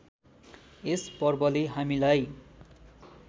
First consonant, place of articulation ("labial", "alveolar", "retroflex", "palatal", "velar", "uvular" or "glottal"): alveolar